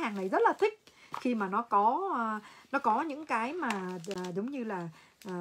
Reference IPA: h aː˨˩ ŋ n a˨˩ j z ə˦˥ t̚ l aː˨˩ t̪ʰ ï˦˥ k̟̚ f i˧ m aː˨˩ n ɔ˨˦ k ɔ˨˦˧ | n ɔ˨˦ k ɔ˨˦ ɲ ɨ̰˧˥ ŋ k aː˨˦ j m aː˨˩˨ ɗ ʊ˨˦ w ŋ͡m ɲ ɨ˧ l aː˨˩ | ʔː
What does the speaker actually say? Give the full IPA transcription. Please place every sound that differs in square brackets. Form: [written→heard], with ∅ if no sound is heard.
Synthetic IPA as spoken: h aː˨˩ ŋ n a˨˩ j z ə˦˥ t̚ l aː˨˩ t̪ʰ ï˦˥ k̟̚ [f→x] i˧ m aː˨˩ n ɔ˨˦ k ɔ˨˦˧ | n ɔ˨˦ k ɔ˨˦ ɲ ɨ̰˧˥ ŋ k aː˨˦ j m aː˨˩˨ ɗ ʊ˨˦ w ŋ͡m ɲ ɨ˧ l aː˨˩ | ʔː